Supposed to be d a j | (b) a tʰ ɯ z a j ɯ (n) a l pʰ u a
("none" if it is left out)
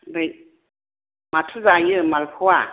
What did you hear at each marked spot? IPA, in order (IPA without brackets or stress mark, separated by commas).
m, m